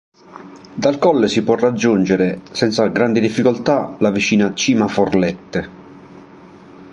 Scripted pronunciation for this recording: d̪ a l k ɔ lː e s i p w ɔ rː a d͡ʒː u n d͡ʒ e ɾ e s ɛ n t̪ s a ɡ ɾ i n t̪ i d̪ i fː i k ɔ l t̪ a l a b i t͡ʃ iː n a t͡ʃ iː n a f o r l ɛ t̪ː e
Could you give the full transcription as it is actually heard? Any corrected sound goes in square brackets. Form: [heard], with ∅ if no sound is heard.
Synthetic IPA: d̪ a l k ɔ lː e s i p w ɔ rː a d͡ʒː u n d͡ʒ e ɾ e s ɛ n t̪ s a ɡ ɾ [a] n [d̪] i d̪ i fː i k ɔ l t̪ a l a [v] i t͡ʃ iː n a t͡ʃ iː [m] a f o r l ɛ t̪ː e